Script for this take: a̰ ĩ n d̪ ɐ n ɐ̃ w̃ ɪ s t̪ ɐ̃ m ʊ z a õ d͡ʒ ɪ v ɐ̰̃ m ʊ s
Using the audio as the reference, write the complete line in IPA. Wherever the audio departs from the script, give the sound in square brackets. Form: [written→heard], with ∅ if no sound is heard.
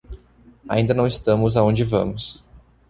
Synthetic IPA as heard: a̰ ĩ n d̪ ɐ n ɐ̃ w̃ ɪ s t̪ ɐ̃ m ʊ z a õ d͡ʒ ɪ v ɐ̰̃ m ʊ s